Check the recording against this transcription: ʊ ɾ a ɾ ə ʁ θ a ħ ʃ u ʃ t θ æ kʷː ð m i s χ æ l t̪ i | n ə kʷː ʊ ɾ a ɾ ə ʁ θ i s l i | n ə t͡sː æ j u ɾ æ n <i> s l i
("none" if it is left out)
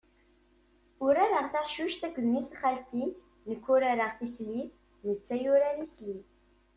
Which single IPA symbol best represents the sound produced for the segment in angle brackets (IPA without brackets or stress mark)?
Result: i